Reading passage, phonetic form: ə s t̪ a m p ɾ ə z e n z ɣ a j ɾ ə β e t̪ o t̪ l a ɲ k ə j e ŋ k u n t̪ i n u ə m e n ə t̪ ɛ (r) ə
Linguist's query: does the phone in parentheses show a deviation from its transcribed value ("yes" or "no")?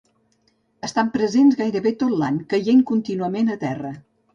no